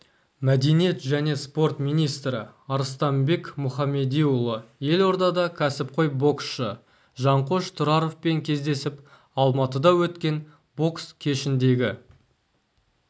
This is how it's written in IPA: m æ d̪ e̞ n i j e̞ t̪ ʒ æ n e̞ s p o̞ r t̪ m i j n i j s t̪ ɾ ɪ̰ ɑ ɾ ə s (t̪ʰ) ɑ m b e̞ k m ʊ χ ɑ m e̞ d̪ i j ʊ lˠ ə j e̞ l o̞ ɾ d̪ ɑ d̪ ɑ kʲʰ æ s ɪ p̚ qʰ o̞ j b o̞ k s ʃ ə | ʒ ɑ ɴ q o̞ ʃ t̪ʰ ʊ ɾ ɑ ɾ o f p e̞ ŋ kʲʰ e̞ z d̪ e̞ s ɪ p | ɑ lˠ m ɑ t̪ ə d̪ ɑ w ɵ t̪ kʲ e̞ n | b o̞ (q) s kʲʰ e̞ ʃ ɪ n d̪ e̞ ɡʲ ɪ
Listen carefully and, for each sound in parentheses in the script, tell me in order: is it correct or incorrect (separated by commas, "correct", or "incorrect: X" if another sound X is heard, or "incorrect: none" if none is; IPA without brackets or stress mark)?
incorrect: t̪, incorrect: k